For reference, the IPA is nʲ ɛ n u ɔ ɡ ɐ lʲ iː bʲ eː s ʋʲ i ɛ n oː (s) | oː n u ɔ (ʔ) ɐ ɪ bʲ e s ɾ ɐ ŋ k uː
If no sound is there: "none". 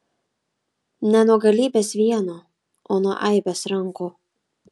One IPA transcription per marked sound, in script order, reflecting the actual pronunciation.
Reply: none, ʔ

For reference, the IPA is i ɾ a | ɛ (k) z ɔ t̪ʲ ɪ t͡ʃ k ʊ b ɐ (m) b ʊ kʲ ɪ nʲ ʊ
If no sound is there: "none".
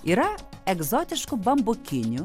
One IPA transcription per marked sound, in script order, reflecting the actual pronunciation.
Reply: ɡ, m

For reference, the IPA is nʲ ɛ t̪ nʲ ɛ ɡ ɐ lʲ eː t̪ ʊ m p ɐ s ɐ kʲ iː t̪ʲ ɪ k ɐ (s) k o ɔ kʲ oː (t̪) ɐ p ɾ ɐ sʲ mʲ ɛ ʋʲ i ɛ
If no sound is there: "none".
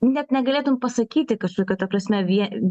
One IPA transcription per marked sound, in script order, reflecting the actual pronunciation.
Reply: ʃ, t̪

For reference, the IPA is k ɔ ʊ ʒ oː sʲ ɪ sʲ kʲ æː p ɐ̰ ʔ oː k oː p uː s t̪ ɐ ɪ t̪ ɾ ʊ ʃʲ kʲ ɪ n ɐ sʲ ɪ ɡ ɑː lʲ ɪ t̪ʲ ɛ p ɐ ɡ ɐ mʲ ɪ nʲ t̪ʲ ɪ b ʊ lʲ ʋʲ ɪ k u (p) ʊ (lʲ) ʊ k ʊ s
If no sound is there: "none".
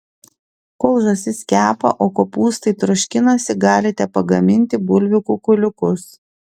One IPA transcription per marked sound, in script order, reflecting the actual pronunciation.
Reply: k, lʲ

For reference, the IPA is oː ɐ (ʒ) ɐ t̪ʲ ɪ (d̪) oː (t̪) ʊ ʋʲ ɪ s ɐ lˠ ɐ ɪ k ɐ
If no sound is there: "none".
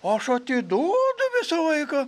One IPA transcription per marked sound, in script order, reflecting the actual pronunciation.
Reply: ʃ, d̪, d̪

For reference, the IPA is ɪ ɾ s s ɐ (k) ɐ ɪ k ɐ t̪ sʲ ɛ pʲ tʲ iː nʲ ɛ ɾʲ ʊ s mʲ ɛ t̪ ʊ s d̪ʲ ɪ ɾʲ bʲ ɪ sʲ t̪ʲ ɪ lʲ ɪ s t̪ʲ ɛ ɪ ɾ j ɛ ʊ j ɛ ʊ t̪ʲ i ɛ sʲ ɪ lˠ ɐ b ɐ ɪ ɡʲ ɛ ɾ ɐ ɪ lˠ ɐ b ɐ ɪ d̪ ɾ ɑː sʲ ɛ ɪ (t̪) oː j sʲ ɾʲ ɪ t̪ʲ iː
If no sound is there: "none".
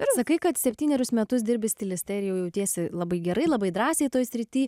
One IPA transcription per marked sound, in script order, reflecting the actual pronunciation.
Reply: k, t̪

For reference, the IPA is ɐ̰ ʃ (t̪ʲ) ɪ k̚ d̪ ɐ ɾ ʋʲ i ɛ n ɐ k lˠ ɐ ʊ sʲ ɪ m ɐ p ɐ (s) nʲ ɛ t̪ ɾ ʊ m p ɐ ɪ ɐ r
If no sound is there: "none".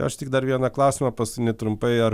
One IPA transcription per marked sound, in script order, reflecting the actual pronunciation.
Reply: t̪ʲ, s

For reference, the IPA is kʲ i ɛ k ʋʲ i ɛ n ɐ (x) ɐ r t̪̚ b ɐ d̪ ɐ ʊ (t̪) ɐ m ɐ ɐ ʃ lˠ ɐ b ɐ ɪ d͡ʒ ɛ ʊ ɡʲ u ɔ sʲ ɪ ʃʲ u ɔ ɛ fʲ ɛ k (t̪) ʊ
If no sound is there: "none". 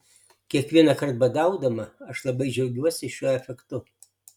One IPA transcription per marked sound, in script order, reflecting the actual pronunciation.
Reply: k, d̪, t̪

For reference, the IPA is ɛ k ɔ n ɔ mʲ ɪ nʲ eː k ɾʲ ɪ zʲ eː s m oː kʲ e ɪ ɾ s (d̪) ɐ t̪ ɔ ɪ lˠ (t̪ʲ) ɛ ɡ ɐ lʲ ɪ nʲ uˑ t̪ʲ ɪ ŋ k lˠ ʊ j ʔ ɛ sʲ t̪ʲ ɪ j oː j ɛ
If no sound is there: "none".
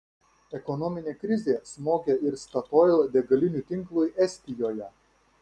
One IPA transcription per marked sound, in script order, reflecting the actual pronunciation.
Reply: t̪, d̪ʲ

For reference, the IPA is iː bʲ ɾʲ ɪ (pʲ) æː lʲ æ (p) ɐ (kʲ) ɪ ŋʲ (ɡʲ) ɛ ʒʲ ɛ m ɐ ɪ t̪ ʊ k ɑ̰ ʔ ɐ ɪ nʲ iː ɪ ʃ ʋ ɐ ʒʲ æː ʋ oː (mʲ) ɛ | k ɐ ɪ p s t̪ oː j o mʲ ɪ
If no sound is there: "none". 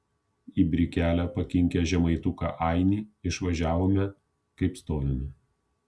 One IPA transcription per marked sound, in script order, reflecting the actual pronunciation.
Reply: kʲ, p, kʲ, kʲ, mʲ

